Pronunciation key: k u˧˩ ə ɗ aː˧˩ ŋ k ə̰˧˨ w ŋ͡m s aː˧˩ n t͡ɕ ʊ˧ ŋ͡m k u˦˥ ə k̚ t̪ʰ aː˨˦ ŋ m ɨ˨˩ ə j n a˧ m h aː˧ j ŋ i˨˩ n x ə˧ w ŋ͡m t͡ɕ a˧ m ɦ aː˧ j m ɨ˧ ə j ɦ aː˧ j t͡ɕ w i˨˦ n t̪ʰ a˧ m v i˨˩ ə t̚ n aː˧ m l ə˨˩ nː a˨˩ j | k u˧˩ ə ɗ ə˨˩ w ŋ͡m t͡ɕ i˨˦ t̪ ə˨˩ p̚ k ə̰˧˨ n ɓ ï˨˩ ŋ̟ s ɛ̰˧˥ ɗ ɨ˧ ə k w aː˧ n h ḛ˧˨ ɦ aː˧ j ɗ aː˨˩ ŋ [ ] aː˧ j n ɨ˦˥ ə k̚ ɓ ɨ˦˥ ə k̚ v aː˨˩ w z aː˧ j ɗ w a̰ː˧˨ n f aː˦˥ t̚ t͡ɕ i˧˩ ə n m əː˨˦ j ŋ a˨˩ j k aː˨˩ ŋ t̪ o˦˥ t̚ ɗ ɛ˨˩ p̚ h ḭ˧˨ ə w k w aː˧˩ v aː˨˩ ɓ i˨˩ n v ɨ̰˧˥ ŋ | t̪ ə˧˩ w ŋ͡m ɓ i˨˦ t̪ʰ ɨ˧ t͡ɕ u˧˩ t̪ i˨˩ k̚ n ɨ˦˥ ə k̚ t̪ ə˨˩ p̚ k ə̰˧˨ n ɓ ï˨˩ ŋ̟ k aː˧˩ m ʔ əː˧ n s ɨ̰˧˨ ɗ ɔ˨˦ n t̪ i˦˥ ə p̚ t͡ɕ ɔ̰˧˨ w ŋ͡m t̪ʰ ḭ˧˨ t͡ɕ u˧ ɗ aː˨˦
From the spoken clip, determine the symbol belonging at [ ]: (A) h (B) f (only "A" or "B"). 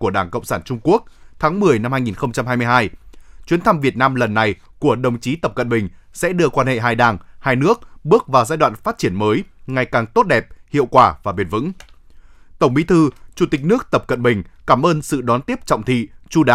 A